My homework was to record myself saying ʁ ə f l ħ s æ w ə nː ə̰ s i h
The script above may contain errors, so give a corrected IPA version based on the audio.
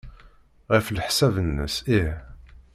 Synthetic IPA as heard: ʁ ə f l ħ s æ v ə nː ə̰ s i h